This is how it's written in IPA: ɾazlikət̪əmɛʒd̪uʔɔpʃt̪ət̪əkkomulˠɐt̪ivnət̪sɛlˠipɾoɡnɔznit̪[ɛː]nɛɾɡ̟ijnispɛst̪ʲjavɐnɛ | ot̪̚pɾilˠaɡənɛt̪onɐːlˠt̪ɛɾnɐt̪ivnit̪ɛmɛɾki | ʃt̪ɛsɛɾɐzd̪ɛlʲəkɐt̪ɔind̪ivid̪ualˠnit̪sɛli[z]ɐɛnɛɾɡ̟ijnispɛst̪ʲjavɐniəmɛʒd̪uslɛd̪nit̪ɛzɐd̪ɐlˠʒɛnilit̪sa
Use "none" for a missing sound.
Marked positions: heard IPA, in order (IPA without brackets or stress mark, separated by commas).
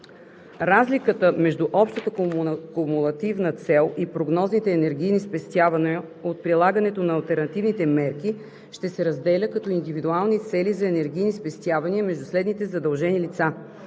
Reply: ɛː, z